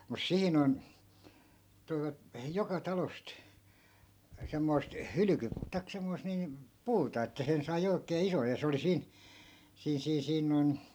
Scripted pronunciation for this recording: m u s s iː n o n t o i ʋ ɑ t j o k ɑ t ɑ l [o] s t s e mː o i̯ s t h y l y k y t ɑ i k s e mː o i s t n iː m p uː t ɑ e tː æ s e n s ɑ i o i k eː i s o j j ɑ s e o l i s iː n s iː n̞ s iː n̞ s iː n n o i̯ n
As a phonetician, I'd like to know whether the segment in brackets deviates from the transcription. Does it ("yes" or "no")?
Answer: no